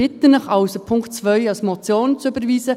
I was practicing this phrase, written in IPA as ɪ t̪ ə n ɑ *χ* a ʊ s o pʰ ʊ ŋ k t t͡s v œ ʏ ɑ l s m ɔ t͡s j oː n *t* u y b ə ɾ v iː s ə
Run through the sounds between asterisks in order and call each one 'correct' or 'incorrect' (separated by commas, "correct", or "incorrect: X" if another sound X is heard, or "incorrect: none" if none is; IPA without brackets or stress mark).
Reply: correct, incorrect: t͡s